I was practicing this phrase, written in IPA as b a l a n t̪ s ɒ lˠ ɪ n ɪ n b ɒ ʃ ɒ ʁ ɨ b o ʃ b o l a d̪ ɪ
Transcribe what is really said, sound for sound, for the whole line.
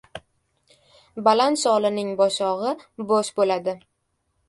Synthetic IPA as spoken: b a l a n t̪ s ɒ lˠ ɪ n ɪ ŋ b ɒ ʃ ɒ ʁ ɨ b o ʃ b o l a d̪ ɪ